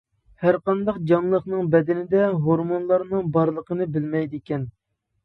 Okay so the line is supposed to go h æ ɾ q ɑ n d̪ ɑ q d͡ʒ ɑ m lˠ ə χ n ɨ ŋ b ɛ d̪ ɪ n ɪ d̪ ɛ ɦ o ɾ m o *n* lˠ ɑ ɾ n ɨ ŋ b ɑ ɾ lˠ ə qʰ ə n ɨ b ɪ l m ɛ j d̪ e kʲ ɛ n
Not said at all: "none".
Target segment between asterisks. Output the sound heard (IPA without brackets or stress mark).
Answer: n